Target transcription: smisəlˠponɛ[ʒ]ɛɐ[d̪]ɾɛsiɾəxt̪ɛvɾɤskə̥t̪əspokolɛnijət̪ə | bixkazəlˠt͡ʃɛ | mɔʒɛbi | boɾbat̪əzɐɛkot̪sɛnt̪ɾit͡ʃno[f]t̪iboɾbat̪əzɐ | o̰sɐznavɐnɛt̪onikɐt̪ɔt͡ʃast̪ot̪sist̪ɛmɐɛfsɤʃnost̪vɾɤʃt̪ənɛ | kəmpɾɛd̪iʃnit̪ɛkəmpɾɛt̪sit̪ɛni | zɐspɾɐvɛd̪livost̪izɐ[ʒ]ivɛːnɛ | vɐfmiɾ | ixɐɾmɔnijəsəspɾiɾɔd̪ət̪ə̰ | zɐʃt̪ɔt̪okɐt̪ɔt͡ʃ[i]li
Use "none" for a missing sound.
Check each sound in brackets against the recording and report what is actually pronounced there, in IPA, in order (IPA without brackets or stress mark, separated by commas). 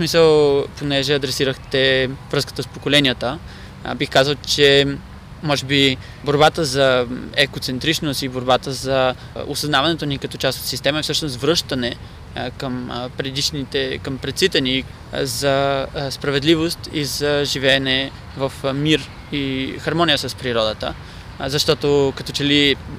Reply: ʒ, d̪, s, ʒ, ɛ